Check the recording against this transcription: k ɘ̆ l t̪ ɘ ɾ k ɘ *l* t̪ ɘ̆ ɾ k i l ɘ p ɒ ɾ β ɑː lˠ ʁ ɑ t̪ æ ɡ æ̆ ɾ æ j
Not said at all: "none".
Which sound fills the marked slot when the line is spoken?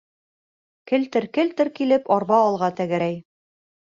l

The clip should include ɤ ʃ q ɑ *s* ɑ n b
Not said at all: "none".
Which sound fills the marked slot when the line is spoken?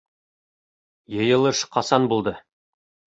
s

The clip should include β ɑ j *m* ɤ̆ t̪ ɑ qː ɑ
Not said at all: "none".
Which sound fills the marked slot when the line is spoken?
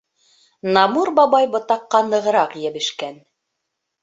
b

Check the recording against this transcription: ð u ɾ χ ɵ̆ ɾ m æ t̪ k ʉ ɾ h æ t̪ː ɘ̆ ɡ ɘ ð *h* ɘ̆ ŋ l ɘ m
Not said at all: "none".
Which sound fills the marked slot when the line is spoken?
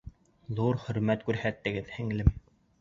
h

